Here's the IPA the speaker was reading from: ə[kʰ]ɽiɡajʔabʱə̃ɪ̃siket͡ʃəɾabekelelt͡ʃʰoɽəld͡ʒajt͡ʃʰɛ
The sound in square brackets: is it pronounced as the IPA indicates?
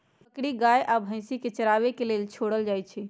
no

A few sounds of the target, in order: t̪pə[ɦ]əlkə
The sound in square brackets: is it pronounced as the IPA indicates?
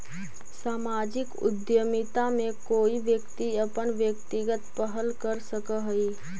yes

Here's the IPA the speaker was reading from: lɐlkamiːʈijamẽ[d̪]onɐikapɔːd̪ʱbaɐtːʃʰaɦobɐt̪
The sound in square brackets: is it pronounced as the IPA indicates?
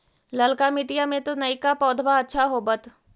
no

